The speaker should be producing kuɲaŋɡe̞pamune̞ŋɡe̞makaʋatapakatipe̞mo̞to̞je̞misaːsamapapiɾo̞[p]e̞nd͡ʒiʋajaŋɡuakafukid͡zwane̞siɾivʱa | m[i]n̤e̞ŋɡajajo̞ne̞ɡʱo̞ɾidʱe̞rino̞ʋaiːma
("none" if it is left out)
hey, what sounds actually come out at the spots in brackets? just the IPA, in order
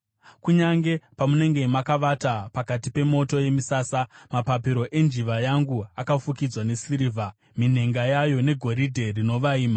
ʔ, i

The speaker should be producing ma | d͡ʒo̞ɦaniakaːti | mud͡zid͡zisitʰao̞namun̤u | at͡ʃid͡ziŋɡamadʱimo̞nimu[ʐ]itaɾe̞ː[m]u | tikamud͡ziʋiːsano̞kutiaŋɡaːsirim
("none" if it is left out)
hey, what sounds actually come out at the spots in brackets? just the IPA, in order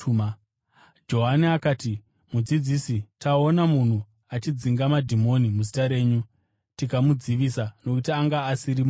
z, ɲ

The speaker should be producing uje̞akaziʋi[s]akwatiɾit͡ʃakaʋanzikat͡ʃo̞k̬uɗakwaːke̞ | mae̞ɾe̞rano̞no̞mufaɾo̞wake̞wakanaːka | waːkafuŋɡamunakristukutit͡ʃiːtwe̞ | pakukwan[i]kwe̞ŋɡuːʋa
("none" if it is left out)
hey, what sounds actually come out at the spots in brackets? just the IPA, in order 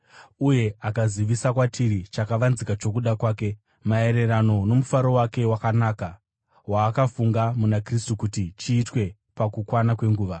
s, a

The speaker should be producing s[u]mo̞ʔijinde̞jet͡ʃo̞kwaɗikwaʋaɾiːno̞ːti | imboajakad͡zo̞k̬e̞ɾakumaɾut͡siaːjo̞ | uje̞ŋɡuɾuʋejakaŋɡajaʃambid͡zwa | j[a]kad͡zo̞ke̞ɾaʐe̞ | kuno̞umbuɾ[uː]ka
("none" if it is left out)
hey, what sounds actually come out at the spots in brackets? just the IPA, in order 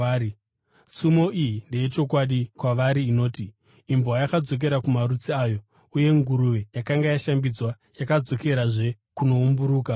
u, a, uː

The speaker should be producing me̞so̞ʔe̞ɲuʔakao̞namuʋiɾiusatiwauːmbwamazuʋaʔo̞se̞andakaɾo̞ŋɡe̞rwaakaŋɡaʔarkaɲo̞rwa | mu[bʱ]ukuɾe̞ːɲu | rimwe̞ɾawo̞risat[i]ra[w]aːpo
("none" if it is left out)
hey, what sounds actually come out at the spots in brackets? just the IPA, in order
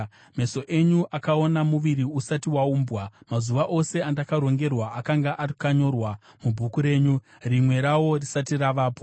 bʱ, i, ʋ

